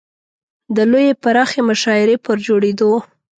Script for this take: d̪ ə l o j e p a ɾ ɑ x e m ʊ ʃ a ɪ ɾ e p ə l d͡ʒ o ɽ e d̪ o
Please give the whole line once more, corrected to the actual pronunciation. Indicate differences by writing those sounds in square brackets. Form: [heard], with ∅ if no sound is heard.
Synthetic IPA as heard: d̪ ə l o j e p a ɾ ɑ x e m ʊ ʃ [ɑ] ɪ ɾ e p ə [ɾ] d͡ʒ o ɽ e d̪ o

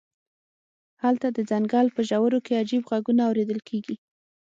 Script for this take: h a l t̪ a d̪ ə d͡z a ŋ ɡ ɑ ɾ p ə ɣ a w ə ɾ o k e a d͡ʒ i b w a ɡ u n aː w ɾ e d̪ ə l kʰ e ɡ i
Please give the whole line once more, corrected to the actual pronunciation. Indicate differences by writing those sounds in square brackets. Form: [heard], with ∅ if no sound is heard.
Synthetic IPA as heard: h a l t̪ a d̪ ə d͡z a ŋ ɡ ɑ [l] p ə [ʒ] a w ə ɾ o k e a d͡ʒ i b [ɣ] a ɡ u n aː w ɾ e d̪ ə l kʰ e ɡ i

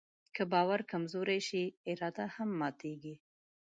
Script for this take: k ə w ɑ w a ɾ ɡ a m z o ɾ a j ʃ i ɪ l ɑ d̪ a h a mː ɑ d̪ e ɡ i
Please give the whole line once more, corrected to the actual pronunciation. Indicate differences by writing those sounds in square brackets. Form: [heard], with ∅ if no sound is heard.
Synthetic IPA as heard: k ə [b] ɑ w a ɾ [k] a m z o ɾ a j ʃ i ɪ [ɾ] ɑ d̪ a h a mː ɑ [t̪] e ɡ i

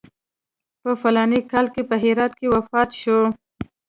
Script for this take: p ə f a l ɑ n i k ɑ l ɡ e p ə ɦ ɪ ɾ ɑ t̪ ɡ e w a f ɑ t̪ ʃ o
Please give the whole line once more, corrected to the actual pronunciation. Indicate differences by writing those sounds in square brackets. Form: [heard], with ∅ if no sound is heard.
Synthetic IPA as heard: p ə f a l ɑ n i k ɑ l [k] e p ə ɦ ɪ ɾ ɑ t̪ [k] e w a f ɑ t̪ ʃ o

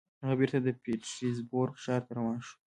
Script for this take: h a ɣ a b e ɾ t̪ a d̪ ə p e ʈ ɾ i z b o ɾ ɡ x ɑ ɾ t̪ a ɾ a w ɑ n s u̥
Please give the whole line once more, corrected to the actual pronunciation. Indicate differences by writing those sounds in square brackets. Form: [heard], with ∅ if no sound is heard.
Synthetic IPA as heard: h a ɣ a b e ɾ t̪ a d̪ ə p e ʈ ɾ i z b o ɾ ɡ [ʃ] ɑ ɾ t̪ a ɾ a w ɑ n [ʃ] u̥

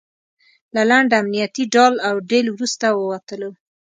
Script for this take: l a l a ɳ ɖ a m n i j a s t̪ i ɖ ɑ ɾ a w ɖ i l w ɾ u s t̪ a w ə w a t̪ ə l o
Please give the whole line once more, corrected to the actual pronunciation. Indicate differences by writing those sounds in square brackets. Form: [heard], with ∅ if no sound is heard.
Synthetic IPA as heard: l a l a ɳ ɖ a m n i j a [∅] t̪ i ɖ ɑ [l] a w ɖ [e] l w ɾ u s t̪ a w ə w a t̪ ə l o

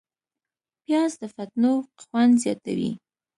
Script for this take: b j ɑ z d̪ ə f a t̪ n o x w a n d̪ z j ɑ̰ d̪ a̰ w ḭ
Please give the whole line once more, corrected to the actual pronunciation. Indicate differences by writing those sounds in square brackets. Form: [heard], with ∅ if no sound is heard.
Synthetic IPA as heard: [p] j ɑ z d̪ ə f a t̪ n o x w a n d̪ z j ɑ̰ [t̪] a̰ w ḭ

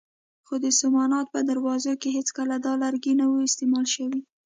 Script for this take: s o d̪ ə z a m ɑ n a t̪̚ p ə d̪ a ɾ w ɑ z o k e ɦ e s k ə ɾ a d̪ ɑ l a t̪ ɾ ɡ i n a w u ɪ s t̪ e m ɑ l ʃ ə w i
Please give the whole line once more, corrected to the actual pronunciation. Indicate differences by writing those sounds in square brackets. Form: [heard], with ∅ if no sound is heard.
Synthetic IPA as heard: [x] o d̪ ə [s] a m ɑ n [ɑ] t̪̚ p ə d̪ a ɾ w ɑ z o k e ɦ e [t͡s] k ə [l] a d̪ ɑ l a [∅] ɾ ɡ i n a w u ɪ s t̪ e m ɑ l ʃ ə w i

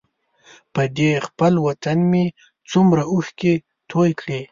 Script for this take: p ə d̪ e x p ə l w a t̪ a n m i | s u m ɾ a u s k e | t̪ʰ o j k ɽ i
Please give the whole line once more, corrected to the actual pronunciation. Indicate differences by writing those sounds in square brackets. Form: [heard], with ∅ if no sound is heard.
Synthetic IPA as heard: p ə d̪ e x p ə l w a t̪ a n m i | [t͡s] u m ɾ a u [x] k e | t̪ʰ o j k ɽ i

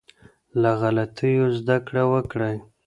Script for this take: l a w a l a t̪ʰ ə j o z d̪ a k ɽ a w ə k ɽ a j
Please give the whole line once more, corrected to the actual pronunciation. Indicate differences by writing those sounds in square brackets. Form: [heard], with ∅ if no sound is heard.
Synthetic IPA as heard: l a [ɣ] a l a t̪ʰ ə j o z d̪ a k ɽ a w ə k ɽ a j

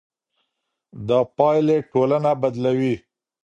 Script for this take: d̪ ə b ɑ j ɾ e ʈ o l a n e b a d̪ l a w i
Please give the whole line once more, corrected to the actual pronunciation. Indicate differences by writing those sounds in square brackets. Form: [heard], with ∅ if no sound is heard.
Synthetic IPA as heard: d̪ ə [p] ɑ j [l] e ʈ o l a n [a] b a d̪ l a w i

